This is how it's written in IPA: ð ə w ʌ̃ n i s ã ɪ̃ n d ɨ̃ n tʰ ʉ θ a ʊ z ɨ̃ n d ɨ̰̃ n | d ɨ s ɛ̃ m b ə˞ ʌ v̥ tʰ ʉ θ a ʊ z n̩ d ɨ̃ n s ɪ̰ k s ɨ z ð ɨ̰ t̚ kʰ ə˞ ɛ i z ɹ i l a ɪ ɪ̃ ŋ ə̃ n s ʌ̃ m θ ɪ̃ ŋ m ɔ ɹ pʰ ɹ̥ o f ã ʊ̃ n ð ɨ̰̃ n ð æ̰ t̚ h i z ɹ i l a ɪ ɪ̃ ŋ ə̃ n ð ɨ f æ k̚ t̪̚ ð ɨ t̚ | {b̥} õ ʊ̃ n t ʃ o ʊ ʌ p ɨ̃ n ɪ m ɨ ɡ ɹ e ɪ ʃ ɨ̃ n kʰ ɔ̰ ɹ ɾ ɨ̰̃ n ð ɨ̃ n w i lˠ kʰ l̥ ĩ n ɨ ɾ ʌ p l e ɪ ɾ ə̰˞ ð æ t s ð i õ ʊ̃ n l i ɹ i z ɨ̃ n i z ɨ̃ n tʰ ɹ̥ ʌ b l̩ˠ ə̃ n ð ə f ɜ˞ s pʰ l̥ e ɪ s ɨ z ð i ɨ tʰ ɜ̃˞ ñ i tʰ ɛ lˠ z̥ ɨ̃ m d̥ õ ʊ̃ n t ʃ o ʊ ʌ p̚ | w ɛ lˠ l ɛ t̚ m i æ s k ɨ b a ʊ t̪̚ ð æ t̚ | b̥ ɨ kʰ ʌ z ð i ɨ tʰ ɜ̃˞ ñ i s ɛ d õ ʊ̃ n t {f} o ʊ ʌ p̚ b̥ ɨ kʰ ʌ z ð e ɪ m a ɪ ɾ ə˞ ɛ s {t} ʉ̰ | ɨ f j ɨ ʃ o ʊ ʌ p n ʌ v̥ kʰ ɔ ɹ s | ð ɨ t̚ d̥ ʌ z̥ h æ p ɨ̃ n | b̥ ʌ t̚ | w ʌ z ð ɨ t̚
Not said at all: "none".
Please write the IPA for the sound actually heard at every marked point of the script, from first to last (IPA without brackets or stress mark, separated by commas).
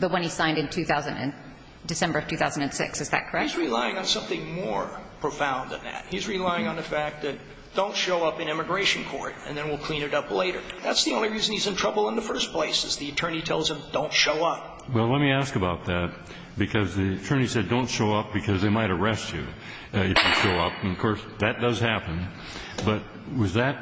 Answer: d̥, ʃ, t͡ʃ